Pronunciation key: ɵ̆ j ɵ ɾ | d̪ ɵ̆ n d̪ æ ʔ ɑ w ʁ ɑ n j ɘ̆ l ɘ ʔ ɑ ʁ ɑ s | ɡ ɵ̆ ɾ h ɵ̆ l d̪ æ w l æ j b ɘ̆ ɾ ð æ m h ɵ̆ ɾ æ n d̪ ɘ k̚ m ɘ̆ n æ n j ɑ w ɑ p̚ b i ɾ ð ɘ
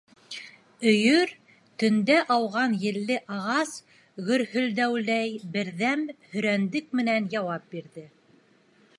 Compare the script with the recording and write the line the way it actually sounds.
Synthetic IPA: ɵ̆ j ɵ ɾ | t̪ ɵ̆ n d̪ æ ʔ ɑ w ʁ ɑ n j ɘ̆ lː ɘ ʔ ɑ ʁ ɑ s | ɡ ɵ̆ ɾ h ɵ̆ l d̪ æ w l æ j b ɘ̆ ɾ ð æ m h ɵ̆ ɾ æ n d̪ ɘ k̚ m ɘ̆ n æ n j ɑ w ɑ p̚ b i ɾ ð ɘ